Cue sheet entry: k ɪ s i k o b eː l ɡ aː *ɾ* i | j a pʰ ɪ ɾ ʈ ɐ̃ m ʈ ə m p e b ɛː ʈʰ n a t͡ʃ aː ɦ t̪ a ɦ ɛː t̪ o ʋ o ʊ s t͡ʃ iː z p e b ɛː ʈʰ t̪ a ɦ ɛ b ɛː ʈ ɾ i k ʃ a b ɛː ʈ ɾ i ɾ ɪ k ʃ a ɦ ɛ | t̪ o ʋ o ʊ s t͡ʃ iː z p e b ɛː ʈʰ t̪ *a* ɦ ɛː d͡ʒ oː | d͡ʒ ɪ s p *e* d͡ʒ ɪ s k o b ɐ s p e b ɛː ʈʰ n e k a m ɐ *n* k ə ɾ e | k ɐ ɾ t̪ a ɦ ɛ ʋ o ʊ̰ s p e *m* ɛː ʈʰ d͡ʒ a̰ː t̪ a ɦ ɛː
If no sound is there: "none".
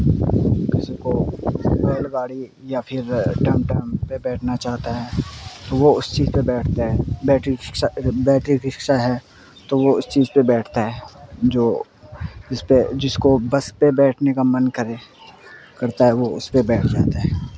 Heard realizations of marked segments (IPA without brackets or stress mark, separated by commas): ɽ, a, e, n, b